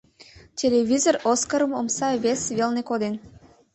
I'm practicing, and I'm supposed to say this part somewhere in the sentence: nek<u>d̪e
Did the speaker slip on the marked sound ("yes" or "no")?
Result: yes